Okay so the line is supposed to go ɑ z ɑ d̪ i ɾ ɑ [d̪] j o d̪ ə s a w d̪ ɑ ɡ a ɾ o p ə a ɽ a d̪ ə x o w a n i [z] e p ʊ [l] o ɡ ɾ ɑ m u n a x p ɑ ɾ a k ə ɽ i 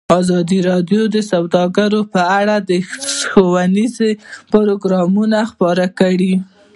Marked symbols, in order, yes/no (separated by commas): yes, yes, no